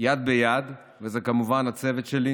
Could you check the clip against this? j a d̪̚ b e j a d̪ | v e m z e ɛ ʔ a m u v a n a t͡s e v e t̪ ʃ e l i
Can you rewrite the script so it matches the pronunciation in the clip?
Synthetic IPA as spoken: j a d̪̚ b e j a d̪ | v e z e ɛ k a m u v a n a t͡s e v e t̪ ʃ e l i